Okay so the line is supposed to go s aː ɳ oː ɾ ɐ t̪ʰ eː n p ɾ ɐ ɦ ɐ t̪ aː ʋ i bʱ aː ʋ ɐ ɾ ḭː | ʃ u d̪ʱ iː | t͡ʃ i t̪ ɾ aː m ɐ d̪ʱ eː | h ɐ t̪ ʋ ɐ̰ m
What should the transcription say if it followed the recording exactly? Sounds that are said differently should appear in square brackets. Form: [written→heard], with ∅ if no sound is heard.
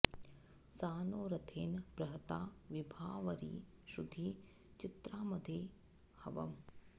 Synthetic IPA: s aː [ɳ→n] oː ɾ ɐ t̪ʰ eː n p ɾ ɐ ɦ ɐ t̪ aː ʋ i bʱ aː ʋ ɐ ɾ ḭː | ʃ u d̪ʱ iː | t͡ʃ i t̪ ɾ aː m ɐ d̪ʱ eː | h ɐ [t̪→∅] ʋ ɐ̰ m